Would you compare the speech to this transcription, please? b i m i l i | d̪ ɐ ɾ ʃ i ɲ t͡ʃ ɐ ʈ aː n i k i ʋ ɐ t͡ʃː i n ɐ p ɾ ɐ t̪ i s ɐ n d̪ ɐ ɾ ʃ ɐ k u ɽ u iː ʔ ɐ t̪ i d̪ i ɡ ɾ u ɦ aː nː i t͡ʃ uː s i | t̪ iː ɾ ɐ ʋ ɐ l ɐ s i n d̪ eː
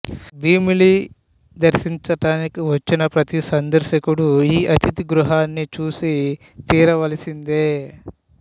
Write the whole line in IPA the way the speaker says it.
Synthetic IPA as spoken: b iː m i l i | d̪ ɐ ɾ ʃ i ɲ t͡ʃ ɐ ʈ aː n i k i ʋ ɐ t͡ʃː i n ɐ p ɾ ɐ t̪ i s ɐ n d̪ ɐ ɾ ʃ ɐ k u ɽ u iː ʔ ɐ t̪ i t̪ i ɡ ɾ u ɦ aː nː i t͡ʃ uː s i | t̪ iː ɾ ɐ ʋ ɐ l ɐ s i n d̪ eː